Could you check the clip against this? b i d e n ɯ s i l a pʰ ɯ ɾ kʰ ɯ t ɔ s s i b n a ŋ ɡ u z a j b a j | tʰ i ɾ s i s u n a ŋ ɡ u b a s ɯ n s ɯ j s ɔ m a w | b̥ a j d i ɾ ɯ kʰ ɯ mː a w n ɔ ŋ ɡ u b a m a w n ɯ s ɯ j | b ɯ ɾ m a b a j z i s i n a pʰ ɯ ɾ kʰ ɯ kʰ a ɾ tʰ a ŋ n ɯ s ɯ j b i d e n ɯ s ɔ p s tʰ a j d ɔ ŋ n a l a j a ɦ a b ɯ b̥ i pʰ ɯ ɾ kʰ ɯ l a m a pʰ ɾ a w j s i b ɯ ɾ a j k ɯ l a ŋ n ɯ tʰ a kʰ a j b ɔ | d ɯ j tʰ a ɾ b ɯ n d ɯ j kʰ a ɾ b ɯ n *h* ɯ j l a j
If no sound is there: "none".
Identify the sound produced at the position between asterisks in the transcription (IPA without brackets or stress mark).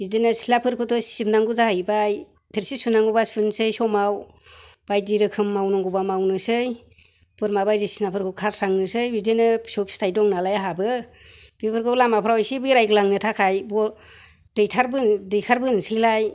s